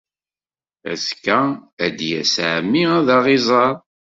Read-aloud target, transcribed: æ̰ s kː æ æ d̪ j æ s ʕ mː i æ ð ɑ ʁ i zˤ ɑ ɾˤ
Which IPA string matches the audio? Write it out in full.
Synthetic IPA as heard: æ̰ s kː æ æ d̪ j æ s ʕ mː i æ ð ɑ ʁ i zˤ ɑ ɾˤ